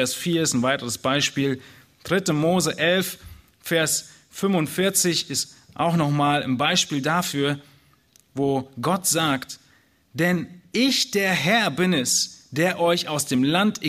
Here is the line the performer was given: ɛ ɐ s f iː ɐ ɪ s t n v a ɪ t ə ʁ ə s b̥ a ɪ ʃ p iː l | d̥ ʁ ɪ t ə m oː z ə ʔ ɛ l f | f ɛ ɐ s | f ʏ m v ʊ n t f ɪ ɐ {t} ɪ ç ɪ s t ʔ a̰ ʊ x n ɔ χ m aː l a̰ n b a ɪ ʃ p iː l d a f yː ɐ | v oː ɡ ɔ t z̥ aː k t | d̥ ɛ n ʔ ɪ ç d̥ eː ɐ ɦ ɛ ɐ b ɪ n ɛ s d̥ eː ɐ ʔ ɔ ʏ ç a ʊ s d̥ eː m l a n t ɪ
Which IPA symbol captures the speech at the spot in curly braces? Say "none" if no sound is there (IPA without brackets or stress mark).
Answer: t͡s